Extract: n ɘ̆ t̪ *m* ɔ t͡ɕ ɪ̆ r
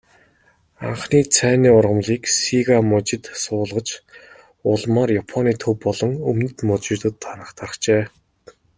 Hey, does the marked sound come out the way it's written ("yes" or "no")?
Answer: yes